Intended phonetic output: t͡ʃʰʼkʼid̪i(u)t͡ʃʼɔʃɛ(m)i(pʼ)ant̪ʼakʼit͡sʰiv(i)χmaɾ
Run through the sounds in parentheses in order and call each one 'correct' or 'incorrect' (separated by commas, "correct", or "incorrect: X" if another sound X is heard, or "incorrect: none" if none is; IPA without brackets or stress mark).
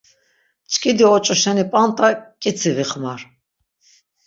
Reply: incorrect: ɔ, incorrect: n, correct, correct